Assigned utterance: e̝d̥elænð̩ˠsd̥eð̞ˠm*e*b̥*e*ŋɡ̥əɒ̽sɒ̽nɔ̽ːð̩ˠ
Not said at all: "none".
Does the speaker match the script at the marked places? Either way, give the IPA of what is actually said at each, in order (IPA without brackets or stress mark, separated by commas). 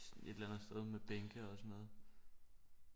e, e